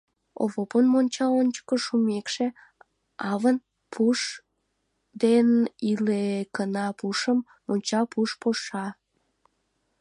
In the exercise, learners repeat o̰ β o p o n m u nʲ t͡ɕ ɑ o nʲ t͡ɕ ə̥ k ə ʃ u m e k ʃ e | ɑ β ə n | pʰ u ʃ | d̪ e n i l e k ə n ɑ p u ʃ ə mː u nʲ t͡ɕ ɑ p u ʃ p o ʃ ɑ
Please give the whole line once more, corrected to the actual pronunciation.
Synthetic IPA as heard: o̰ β o p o n m o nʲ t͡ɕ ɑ o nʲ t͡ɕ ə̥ k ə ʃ u m e k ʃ e | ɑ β ə n | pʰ u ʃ | d̪ e n i l e k ə n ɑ p u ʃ ə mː o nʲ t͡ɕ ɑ p u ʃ p o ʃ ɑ